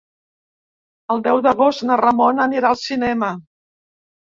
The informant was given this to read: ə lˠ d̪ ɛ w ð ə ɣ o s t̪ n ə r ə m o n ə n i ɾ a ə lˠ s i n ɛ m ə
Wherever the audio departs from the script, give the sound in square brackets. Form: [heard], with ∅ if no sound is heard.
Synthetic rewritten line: ə lˠ d̪ ɛ w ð ə ɣ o s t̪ n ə r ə m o n ə n i ɾ a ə lˠ s i n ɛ m ə